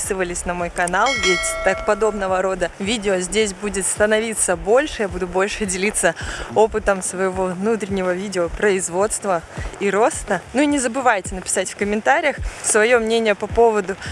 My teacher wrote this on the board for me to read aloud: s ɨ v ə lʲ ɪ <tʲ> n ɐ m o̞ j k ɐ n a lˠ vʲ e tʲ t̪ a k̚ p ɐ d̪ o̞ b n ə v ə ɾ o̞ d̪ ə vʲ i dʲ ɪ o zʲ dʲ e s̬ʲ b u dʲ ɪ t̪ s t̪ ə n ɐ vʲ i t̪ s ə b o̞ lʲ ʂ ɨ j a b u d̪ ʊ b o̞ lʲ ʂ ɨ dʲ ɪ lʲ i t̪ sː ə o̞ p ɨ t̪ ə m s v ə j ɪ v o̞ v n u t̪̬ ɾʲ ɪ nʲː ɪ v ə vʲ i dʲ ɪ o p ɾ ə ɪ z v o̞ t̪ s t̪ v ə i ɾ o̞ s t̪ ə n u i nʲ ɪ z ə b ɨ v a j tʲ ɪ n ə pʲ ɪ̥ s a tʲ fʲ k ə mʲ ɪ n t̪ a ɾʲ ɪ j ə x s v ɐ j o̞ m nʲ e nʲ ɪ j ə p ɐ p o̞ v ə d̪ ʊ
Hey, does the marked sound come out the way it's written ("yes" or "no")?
no